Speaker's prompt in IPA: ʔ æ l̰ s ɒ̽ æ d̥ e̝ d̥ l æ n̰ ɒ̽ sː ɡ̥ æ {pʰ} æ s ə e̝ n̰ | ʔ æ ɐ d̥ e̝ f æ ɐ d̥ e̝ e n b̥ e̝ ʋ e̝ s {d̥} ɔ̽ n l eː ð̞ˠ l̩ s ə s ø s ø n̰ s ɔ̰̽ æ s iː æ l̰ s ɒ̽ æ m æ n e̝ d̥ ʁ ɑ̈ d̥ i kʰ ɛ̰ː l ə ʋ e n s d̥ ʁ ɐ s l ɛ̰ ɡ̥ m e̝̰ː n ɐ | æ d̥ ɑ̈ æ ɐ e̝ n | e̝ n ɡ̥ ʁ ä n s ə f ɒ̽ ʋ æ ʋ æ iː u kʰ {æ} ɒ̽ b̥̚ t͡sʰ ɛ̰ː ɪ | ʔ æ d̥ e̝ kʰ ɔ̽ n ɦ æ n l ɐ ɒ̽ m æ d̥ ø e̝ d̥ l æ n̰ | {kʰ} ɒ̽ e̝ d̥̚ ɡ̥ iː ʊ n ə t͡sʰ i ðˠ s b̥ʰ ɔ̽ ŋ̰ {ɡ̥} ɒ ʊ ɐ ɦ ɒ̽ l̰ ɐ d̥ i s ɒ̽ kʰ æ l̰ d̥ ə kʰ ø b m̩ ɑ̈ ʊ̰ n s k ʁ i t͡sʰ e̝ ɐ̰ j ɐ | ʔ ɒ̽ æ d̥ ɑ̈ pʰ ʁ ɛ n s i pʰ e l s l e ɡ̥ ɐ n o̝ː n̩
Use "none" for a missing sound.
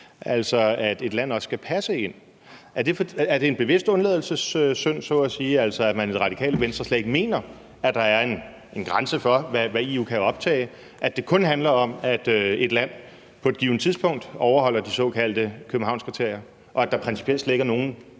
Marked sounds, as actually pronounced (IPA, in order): pʰ, d̥, æ, pʰ, d̥

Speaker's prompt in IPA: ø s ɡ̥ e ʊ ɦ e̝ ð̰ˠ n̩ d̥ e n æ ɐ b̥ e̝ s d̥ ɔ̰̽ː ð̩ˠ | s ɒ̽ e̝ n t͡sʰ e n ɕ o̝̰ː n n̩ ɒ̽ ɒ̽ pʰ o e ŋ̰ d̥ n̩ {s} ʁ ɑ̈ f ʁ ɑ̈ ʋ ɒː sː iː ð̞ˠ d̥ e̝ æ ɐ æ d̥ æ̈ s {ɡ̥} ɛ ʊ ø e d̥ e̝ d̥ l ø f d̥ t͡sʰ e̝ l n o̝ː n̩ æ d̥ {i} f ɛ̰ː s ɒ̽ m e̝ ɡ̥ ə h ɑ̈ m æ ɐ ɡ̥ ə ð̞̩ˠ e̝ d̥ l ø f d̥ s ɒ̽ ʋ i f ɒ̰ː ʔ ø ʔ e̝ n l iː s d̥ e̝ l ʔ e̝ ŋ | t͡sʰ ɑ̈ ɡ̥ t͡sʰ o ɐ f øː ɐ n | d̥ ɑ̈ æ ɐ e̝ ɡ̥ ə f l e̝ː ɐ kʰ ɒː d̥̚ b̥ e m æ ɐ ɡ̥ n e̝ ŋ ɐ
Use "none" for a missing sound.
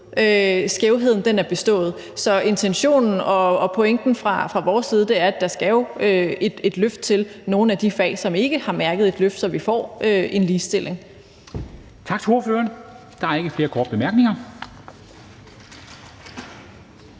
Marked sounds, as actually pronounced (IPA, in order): f, ɡ̥, i

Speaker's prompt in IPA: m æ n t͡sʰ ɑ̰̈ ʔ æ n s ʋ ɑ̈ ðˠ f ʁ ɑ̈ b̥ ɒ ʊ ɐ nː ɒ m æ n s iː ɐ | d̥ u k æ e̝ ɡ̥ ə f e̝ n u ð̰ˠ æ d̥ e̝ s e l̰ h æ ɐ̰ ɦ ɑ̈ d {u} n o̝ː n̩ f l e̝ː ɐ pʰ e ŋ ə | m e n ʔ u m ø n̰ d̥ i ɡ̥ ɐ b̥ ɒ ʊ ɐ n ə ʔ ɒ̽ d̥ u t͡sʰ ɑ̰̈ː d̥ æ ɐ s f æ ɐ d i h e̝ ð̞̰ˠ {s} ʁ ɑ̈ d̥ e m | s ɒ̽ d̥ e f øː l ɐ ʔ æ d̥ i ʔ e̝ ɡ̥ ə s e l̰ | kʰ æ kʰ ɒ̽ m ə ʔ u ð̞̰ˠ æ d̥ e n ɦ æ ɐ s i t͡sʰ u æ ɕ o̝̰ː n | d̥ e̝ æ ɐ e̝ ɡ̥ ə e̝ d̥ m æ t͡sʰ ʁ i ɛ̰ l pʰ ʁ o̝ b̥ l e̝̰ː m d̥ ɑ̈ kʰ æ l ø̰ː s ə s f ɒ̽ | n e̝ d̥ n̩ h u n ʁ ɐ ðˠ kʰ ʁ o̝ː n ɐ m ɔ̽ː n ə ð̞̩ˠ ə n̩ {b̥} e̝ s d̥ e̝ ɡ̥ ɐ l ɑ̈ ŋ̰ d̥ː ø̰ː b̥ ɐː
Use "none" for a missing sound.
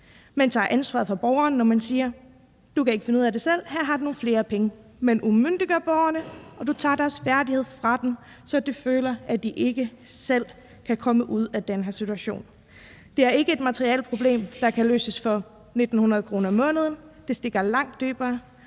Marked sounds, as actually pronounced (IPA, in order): u, f, d̥

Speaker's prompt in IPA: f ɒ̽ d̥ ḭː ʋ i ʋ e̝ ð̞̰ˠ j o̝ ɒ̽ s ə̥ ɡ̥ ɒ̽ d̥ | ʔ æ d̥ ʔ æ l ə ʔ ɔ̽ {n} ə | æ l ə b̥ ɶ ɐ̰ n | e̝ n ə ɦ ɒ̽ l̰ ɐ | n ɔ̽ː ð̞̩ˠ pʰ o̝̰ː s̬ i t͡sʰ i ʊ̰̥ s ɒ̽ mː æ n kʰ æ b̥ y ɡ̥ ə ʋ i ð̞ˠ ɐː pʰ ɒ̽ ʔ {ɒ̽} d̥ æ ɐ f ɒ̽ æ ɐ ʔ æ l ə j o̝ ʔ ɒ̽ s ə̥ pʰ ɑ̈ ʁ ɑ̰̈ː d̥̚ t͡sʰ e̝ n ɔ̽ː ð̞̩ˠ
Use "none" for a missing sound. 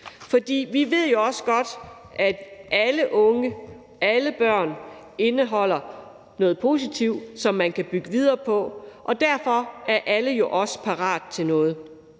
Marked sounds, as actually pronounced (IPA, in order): ŋ, ɒ̽

